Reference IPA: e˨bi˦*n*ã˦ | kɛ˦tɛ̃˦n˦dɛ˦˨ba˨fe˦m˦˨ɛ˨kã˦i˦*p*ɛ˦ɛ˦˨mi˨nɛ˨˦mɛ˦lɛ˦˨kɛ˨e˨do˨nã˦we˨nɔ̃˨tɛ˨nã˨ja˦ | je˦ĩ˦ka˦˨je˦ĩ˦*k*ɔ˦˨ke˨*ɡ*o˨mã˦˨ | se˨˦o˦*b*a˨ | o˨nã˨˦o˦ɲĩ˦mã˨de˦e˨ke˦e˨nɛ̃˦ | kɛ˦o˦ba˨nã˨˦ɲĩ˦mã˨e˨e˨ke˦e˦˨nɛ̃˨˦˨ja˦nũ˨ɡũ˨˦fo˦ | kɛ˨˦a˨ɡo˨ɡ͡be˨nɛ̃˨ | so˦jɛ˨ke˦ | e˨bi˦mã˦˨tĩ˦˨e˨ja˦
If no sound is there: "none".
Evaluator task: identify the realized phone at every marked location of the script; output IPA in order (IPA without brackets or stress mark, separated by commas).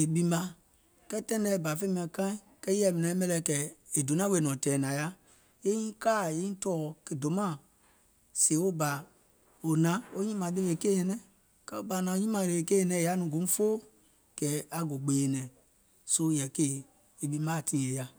m, k, t, d, b